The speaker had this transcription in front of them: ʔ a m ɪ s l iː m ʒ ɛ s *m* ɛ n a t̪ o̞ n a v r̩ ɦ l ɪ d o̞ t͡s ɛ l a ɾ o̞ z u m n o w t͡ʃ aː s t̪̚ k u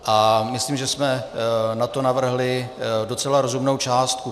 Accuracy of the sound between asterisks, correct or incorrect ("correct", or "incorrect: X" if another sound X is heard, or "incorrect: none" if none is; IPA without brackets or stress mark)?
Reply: correct